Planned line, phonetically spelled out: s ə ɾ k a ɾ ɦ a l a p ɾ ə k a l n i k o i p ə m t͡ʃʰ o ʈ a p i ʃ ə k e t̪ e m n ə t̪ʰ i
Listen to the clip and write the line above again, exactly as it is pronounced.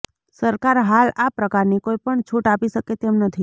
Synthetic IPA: s ə ɾ k a ɾ ɦ a l a p ɾ ə k a ɾ n i k o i p ə ɳ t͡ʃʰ u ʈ a p i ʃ ə k e t̪ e m n ə t̪ʰ i